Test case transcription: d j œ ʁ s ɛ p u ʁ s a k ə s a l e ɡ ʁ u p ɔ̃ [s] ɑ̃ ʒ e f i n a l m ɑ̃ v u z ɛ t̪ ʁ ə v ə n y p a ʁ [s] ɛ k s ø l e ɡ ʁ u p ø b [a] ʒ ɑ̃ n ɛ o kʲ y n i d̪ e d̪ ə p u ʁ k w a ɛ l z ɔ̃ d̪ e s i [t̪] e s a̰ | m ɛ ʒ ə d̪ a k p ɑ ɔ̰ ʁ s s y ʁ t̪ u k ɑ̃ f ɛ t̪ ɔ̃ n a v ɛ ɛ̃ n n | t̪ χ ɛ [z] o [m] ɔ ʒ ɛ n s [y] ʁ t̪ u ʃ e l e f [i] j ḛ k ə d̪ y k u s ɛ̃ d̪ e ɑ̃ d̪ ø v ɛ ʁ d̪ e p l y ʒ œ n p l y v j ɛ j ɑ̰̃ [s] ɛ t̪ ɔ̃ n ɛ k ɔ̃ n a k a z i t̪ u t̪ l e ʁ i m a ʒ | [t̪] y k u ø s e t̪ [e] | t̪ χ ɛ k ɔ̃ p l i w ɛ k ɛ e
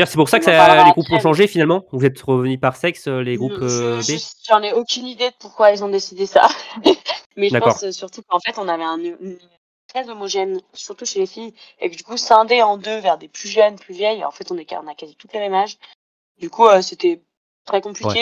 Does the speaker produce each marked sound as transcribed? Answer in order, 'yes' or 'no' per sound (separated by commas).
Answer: no, yes, no, no, yes, yes, yes, yes, no, no, no